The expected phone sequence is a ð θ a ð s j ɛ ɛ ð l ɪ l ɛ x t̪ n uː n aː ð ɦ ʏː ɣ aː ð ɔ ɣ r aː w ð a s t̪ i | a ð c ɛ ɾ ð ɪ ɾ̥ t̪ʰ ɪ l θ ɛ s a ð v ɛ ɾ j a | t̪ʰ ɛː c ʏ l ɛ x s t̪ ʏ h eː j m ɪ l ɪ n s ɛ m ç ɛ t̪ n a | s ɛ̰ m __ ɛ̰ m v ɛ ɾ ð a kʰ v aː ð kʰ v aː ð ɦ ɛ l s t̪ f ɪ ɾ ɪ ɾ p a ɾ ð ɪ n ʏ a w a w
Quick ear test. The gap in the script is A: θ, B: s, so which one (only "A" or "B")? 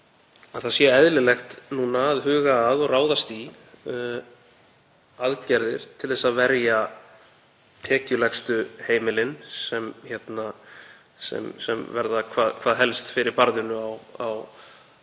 B